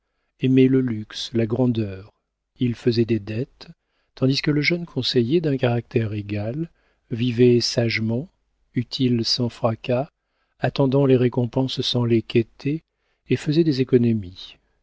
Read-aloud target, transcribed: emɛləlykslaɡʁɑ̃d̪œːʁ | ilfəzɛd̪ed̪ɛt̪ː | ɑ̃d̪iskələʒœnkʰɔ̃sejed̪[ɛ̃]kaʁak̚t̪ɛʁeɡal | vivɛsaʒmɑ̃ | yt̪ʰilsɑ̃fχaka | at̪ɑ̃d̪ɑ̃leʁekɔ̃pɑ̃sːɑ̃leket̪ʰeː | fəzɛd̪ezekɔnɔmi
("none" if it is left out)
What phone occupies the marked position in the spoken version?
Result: ɛ̃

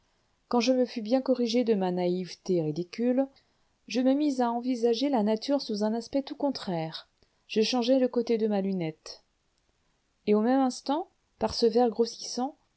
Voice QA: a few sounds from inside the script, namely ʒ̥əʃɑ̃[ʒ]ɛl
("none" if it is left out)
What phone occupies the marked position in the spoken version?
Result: ʒ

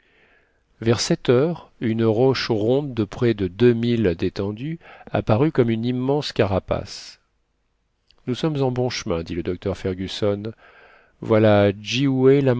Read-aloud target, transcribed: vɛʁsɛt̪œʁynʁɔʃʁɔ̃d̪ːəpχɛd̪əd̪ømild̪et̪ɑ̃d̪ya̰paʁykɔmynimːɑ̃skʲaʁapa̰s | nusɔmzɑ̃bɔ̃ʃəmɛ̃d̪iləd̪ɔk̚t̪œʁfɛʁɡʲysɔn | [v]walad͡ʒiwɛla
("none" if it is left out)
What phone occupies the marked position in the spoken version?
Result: v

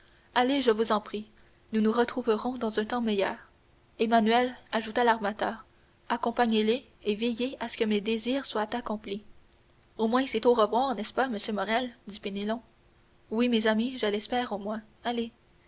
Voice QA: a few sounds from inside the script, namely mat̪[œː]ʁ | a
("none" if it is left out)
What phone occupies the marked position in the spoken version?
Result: œː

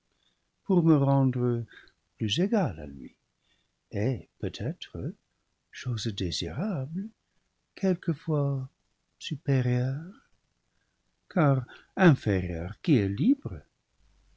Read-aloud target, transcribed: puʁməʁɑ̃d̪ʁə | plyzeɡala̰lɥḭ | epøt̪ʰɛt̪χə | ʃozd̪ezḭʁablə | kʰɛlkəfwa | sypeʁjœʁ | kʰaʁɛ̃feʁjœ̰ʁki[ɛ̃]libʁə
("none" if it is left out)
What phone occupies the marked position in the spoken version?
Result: ɛ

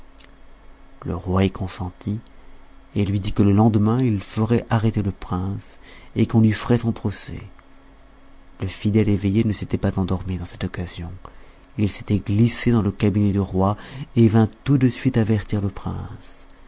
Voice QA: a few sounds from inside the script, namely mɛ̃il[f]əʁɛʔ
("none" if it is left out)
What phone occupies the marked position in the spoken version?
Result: f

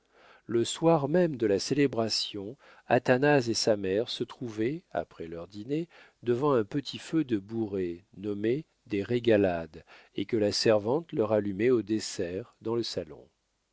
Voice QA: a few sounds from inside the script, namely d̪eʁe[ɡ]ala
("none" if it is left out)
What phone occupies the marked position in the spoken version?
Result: ɡ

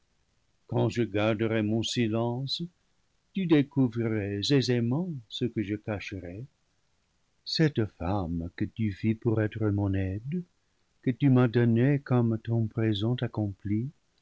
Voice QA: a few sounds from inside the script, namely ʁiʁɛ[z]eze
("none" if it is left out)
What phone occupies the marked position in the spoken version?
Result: z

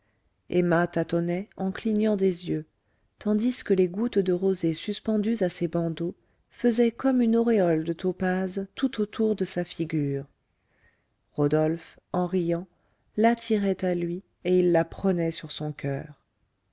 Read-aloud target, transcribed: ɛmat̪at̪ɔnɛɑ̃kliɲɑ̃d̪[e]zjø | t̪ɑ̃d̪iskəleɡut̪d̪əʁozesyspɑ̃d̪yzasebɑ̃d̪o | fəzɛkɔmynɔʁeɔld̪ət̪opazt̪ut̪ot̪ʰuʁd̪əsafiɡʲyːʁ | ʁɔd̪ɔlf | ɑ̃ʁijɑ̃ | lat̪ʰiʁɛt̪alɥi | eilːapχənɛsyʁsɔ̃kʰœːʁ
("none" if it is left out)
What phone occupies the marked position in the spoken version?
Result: e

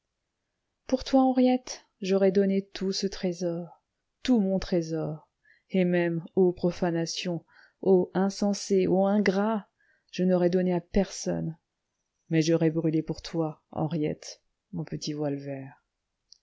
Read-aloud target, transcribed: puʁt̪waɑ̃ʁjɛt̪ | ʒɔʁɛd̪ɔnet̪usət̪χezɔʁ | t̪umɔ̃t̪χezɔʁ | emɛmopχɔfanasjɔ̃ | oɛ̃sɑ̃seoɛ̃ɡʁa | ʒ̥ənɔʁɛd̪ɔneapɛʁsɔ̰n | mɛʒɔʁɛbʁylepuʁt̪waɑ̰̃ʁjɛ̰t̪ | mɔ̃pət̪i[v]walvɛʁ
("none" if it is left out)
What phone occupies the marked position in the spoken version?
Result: v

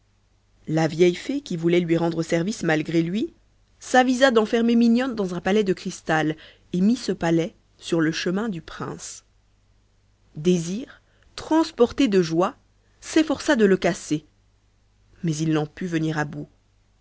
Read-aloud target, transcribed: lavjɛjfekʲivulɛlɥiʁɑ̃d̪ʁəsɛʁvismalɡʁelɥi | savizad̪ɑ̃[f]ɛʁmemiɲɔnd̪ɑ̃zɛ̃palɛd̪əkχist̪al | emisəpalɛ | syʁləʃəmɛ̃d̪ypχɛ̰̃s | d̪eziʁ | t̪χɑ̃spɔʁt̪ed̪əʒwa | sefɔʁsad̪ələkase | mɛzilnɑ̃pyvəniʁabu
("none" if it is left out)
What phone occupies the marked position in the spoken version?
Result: f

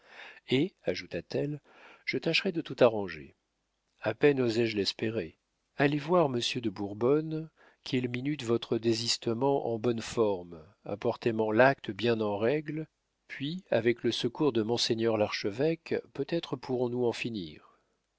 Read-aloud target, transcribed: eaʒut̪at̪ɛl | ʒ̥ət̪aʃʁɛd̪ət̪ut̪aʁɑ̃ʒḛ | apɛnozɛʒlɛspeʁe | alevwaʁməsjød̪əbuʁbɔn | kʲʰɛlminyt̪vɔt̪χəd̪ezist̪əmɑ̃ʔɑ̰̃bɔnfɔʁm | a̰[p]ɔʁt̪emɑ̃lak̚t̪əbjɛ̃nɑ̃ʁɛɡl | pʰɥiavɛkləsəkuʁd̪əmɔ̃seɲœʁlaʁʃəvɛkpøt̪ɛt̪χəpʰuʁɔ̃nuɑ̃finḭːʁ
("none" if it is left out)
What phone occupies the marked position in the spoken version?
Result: p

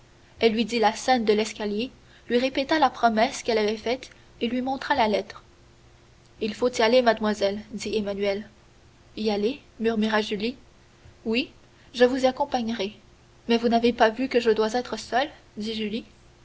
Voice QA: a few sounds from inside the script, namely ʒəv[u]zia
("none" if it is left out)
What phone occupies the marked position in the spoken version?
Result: u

